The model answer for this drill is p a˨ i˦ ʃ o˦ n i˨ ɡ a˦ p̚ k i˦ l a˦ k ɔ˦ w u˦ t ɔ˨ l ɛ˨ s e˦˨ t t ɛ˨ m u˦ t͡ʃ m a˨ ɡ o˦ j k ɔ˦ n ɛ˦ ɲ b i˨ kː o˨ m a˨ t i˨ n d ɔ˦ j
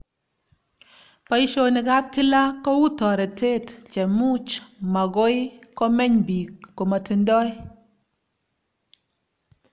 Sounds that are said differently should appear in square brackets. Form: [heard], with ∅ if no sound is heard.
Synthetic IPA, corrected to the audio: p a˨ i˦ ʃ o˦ n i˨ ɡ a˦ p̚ k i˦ l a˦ k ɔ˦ w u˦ t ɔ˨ [ɾ] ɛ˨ [t] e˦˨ t [t͡ʃ] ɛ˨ m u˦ t͡ʃ m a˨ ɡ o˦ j k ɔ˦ [m] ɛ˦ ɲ b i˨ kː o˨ m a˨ t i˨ n d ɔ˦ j